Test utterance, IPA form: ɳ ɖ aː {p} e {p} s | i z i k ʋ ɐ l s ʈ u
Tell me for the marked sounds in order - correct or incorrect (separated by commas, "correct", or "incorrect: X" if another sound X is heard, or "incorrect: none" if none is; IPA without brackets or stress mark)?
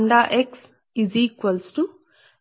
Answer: incorrect: ʔ, incorrect: k